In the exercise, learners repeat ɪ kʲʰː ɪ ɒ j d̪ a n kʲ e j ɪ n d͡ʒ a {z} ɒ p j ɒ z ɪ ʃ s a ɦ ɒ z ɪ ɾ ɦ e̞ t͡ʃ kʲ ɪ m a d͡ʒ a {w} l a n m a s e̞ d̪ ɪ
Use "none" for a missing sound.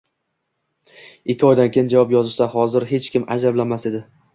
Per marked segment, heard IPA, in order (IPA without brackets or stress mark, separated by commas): v, b